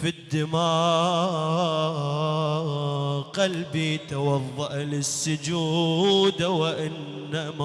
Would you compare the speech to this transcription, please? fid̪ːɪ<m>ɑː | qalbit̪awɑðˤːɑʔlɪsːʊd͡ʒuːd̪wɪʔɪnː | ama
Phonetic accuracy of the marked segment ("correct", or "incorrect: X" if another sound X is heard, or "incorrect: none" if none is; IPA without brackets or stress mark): correct